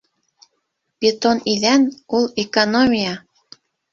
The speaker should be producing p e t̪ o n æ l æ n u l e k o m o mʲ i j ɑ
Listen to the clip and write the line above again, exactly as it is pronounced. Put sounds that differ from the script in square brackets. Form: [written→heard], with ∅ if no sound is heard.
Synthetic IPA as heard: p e t̪ o n [æ→i] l æ n u l e k o [m→n] o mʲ i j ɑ